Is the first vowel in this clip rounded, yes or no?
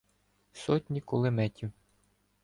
yes